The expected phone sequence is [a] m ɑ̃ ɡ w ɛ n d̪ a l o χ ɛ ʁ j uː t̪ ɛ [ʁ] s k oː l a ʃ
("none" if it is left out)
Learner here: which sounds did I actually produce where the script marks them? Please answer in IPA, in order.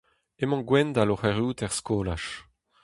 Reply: e, ʁ

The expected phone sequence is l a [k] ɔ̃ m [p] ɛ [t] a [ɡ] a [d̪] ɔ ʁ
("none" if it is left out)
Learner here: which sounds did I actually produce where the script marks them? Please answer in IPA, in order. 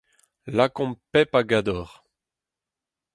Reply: k, p, p, ɡ, d̪

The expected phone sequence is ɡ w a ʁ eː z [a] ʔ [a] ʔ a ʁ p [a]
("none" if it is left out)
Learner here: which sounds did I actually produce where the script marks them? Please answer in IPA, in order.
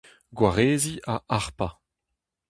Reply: i, a, a

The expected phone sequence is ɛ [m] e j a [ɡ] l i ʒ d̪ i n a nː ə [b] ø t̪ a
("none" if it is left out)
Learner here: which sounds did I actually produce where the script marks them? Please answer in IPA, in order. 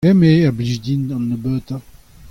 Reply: m, b, b

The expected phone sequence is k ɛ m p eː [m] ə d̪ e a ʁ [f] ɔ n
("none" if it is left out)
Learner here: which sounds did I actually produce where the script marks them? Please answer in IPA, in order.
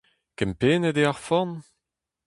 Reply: n, f

